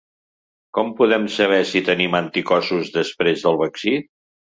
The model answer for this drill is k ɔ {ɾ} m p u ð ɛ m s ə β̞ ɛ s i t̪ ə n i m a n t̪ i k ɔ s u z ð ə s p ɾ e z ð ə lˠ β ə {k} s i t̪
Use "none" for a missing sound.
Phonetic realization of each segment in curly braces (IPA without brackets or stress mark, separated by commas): none, k